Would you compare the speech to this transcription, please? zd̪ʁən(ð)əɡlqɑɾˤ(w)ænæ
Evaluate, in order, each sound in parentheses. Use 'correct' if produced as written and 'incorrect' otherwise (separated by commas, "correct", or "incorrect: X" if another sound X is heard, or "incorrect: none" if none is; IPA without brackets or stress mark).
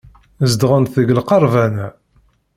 incorrect: θ, incorrect: v